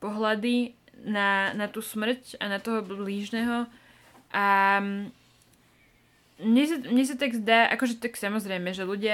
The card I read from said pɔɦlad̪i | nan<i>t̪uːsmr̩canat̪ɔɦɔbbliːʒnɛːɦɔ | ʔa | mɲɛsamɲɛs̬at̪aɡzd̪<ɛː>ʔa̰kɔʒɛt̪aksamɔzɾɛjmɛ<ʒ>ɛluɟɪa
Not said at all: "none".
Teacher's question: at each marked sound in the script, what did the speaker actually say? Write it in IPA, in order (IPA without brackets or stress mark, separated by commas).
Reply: a, aː, ʒ